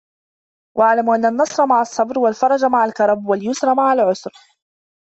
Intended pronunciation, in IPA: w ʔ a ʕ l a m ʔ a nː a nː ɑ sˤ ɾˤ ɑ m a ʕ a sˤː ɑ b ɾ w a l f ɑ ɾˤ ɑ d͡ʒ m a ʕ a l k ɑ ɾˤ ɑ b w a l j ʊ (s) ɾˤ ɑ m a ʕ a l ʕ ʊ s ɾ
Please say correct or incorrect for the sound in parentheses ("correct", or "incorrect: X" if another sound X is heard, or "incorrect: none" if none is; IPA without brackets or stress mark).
correct